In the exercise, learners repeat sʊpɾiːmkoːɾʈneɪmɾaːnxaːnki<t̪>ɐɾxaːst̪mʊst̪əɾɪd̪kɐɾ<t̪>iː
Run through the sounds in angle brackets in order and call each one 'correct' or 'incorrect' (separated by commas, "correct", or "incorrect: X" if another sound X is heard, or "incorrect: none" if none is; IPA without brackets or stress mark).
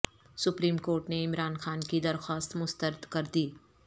incorrect: d̪, incorrect: d̪